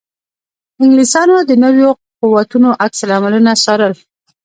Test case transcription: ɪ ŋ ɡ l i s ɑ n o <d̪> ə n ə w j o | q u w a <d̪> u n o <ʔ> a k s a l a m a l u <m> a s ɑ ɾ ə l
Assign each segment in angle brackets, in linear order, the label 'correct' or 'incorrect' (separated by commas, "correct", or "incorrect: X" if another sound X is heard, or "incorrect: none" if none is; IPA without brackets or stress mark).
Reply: correct, incorrect: t̪, correct, incorrect: n